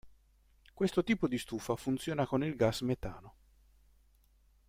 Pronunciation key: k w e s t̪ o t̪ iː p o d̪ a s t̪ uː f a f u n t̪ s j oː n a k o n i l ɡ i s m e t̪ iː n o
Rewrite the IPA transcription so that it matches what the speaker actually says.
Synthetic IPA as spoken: k w e s t̪ o t̪ iː p o d̪ i s t̪ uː f a f u n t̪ s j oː n a k o n i l ɡ a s m e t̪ aː n o